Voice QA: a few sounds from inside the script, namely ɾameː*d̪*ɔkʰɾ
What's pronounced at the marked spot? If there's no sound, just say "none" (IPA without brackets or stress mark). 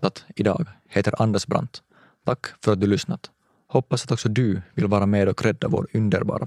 d̪